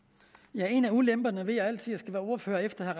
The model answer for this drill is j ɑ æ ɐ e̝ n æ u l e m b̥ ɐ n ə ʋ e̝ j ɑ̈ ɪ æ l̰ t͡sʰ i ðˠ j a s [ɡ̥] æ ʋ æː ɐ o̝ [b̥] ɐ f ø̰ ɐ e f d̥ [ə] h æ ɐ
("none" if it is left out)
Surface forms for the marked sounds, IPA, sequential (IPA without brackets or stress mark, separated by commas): ɡ̥, none, ɐ